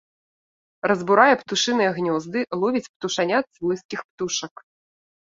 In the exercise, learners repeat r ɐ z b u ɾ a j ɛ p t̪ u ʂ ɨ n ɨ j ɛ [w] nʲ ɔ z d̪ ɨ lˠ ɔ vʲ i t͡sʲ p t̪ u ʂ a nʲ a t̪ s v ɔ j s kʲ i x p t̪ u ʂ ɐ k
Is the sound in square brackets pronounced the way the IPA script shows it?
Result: no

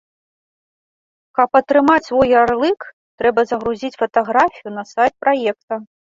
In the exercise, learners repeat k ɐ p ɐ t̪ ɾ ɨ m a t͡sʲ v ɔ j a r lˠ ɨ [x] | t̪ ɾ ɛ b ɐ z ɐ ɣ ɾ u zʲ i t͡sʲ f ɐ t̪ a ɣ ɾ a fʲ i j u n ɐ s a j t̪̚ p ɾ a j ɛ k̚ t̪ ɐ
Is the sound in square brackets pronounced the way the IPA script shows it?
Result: no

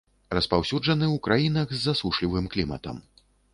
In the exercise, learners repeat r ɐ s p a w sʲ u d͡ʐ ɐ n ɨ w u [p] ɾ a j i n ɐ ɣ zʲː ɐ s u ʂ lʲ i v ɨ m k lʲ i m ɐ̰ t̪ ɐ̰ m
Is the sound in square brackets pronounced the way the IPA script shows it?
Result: no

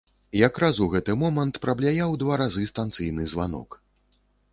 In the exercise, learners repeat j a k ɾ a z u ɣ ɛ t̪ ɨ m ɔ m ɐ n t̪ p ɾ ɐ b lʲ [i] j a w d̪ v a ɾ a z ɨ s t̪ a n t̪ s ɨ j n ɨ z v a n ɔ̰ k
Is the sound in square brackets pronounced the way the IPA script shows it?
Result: no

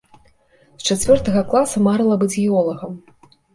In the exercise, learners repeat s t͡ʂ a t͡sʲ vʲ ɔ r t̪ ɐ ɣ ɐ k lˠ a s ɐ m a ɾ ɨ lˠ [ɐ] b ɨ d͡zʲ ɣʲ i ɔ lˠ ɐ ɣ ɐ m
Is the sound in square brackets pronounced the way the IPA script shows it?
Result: yes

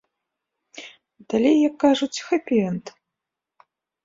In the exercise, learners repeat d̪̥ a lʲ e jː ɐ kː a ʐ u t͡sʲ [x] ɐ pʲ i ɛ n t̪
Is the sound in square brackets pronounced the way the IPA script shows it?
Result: yes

